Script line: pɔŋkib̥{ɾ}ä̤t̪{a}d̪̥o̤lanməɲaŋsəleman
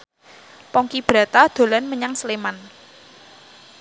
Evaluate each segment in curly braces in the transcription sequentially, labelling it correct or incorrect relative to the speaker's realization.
correct, correct

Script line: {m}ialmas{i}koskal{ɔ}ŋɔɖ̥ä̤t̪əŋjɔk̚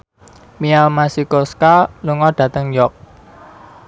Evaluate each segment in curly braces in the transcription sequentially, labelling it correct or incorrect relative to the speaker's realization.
correct, correct, incorrect: u

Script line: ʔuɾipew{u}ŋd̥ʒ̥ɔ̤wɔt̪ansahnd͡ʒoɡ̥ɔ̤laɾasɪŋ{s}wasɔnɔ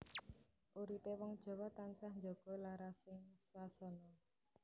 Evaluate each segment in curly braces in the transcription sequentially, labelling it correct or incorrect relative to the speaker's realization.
incorrect: ɔ, correct

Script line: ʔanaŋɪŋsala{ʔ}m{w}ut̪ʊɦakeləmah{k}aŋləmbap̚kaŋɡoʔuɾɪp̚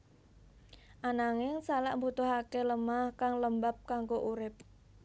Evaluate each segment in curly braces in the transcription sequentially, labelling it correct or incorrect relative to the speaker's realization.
correct, incorrect: b, correct

